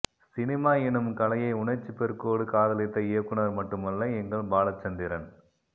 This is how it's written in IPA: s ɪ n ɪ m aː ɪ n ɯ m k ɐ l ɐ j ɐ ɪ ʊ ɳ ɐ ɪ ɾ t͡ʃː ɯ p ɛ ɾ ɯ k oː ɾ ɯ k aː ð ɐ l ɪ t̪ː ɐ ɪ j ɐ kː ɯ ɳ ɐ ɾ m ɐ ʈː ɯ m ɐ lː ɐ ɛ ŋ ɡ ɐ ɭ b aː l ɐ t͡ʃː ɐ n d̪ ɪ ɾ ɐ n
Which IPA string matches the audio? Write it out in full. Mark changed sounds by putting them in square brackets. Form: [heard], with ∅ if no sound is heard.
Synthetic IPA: s ɪ n ɪ m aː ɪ n ɯ m k ɐ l ɐ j ɐ ɪ ʊ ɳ ɐ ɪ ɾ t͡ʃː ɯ p ɛ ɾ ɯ k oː [ɽ] ɯ k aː ð ɐ l ɪ t̪ː ɐ ɪ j ɐ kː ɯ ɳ ɐ ɾ m ɐ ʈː ɯ m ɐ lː ɐ ɛ ŋ ɡ ɐ ɭ b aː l ɐ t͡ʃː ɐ n d̪ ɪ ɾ ɐ n